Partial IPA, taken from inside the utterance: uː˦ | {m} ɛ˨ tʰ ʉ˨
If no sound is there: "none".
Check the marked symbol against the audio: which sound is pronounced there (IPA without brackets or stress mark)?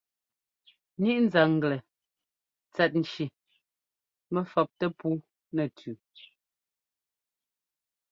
n